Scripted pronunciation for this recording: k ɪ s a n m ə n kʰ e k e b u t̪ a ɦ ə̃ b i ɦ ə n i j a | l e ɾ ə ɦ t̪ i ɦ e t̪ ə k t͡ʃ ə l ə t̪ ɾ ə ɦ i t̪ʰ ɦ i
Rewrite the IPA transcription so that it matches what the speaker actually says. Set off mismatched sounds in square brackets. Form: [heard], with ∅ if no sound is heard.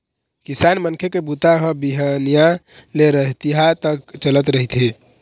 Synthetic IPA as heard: k [i] s a n m ə n kʰ e k e b u t̪ a ɦ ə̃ b i ɦ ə n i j a | l e ɾ ə ɦ t̪ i ɦ [a] t̪ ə k t͡ʃ ə l ə t̪ ɾ ə ɦ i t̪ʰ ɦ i